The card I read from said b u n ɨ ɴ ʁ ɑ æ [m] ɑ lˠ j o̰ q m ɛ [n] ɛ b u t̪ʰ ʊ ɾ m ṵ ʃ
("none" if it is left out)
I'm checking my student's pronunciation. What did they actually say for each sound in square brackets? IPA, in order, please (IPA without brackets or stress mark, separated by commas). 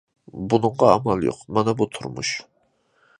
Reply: m, n